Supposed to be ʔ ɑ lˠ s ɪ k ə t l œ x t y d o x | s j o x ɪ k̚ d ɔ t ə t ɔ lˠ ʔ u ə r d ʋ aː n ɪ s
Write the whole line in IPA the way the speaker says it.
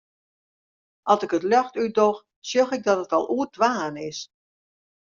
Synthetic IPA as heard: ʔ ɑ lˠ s ɪ k ə t l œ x t y d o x | s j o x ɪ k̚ d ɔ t ə t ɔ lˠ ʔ u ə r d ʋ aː n ɪ s